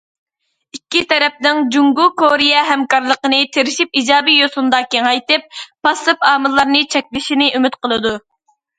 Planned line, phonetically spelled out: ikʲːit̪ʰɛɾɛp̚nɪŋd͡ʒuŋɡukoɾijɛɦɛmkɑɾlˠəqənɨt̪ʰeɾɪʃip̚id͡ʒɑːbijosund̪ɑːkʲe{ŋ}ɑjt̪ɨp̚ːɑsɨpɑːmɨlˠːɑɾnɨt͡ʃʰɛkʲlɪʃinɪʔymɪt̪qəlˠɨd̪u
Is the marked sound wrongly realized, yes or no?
no